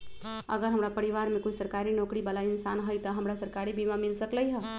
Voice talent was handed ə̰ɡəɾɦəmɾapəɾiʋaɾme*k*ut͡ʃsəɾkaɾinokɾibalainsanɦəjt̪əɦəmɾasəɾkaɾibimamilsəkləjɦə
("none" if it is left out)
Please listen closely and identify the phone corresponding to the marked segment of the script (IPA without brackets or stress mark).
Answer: k